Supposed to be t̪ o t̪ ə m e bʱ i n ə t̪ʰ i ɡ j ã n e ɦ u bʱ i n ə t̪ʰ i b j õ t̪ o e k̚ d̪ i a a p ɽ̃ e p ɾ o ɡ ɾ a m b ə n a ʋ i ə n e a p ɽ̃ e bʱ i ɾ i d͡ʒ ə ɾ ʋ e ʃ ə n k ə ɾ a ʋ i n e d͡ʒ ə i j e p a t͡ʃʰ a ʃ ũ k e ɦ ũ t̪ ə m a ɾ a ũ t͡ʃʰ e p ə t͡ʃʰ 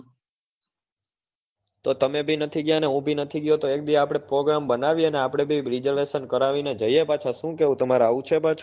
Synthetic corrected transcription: t̪ o t̪ ə m e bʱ i n ə t̪ʰ i ɡ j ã n e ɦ ũ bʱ i n ə t̪ʰ i ɡ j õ t̪ o e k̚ d̪ i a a p ɽ̃ e p ɾ o ɡ ɾ a m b ə n a ʋ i ə n e a p ɽ̃ e bʱ i ɾ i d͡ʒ ə ɾ ʋ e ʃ ə n k ə ɾ a ʋ i n e d͡ʒ ə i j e p a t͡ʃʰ a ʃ ũ k e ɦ ũ t̪ ə m a ɾ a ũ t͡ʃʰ e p a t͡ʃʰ

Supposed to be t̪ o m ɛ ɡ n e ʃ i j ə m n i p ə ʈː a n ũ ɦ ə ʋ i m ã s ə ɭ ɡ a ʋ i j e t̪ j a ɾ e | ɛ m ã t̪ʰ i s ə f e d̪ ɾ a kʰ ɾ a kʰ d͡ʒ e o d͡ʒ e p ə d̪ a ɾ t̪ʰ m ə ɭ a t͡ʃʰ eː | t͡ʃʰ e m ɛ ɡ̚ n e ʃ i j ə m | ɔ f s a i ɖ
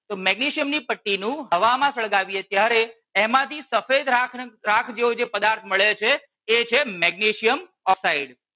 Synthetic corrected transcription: t̪ o m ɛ ɡ n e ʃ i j ə m n i p ə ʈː i n ũ ɦ ə ʋ a m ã s ə ɭ ɡ a ʋ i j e t̪ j a ɾ e | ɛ m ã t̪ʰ i s ə f e d̪ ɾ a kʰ ɾ a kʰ d͡ʒ e o d͡ʒ e p ə d̪ a ɾ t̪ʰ m ə ɭ e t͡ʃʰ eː | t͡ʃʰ e m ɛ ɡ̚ n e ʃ i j ə m | ɔ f s a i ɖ

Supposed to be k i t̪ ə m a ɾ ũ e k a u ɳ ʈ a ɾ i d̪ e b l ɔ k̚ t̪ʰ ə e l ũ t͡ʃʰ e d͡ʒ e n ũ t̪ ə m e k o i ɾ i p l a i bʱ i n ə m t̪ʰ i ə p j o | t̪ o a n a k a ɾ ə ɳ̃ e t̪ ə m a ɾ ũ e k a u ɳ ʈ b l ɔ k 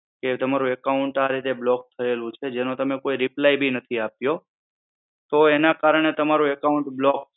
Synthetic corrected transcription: k e t̪ ə m a ɾ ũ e k a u ɳ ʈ a ɾ i t̪ e b l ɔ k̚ t̪ʰ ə e l ũ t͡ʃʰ e d͡ʒ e n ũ t̪ ə m e k o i ɾ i p l a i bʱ i n ə t̪ʰ i a p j o | t̪ o e n a k a ɾ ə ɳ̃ e t̪ ə m a ɾ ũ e k a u ɳ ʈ b l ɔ k

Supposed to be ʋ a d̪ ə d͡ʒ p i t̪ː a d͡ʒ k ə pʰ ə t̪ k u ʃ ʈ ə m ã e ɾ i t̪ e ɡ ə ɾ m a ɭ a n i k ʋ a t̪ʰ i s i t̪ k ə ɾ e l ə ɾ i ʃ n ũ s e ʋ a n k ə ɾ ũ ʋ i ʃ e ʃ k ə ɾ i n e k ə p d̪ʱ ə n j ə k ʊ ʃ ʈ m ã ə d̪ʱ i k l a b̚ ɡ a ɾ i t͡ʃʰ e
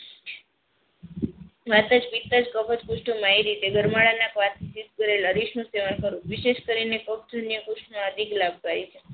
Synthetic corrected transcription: ʋ a t̪ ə d͡ʒ p i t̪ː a d͡ʒ k ə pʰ ə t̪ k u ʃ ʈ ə m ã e ɾ i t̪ e ɡ ə ɾ m a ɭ a n a k ʋ a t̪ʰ i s i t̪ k ə ɾ e l ə ɾ i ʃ n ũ s e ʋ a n k ə ɾ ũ ʋ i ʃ e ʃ k ə ɾ i n e k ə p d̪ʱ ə n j ə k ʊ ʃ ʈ m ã ə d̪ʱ i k l a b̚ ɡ a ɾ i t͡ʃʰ e

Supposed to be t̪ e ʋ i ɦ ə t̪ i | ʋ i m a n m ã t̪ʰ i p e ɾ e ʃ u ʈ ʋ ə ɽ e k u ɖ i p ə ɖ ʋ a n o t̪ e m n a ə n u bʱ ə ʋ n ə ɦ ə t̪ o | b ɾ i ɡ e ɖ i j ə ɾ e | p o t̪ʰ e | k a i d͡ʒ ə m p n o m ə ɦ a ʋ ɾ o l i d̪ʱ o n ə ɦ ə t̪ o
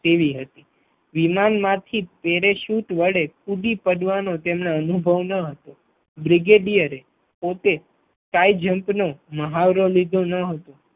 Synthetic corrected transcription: t̪ e ʋ i ɦ ə t̪ i | ʋ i m a n m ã t̪ʰ i p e ɾ e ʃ u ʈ ʋ ə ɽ e k u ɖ i p ə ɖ ʋ a n o t̪ e m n a ə n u bʱ ə ʋ n ə ɦ ə t̪ o | b ɾ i ɡ e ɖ i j ə ɾ e | p o t̪ e | k a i d͡ʒ ə m p n o m ə ɦ a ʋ ɾ o l i d̪ʱ o n ə ɦ ə t̪ o

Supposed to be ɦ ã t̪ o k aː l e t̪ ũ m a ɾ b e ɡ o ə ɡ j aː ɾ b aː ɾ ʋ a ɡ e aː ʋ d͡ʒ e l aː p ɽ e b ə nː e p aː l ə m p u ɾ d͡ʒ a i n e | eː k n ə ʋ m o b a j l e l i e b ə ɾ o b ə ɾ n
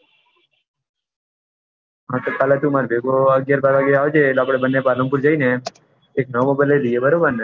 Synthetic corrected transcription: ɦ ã t̪ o k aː l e t̪ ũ m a ɾ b e ɡ o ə ɡ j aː ɾ b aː ɾ ʋ a ɡ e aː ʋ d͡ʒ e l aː p ɽ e b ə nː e p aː l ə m p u ɾ d͡ʒ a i n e | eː k n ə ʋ m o b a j l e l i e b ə ɾ o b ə ɾ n

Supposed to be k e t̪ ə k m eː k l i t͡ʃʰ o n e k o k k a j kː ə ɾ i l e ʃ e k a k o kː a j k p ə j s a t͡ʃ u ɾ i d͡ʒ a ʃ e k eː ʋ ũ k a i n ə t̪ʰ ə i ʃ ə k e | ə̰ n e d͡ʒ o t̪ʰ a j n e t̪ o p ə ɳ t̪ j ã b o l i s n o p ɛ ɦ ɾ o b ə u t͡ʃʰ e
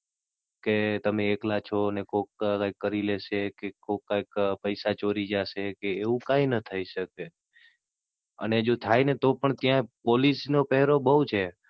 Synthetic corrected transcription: k e t̪ ə m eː k l a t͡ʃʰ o n e k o k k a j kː ə ɾ i l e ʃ e k e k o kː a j k p ə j s a t͡ʃ o ɾ i d͡ʒ a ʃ e k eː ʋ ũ k a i n ə t̪ʰ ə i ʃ ə k e | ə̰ n e d͡ʒ o t̪ʰ a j n e t̪ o p ə ɳ t̪ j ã p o l i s n o p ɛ ɦ ɾ o b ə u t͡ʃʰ e

